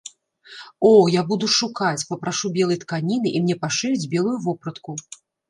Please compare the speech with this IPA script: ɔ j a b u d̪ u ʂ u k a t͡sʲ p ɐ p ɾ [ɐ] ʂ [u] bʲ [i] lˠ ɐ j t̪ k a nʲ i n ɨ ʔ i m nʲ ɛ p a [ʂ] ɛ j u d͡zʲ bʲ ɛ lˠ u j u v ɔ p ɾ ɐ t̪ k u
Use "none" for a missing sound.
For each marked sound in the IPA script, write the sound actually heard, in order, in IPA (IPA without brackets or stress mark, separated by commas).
a, u, ɛ, ʂ